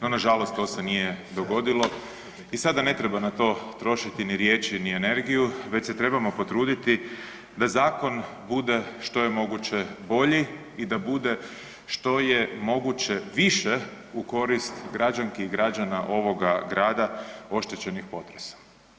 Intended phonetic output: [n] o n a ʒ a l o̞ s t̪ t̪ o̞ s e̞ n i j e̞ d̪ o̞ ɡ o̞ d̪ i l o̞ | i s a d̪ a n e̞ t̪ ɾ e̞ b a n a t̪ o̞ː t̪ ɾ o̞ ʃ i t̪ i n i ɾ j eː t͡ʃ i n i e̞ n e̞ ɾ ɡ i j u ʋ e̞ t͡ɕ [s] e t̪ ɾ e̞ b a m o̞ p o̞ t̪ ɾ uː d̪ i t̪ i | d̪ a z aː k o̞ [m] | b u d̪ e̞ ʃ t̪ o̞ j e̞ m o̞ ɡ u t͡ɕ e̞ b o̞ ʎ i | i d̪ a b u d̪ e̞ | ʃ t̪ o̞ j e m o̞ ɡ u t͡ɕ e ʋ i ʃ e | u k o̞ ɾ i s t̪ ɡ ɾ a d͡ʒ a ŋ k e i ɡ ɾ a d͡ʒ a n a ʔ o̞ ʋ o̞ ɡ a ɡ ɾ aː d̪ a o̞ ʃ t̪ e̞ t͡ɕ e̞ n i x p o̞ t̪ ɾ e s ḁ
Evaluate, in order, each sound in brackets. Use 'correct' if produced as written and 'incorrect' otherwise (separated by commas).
correct, correct, incorrect